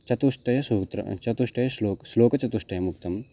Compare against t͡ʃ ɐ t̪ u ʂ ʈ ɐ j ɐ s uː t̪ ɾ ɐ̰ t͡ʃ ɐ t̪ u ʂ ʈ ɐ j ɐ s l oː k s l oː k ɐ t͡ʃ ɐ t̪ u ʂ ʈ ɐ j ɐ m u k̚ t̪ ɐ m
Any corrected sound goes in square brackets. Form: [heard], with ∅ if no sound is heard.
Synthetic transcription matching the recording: t͡ʃ ɐ t̪ u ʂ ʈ ɐ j ɐ s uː t̪ ɾ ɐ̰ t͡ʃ ɐ t̪ u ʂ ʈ ɐ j ɐ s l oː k s l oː k ɐ t͡ʃ ɐ t̪ u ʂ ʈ ɐ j ɐ m u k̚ t̪ ɐ m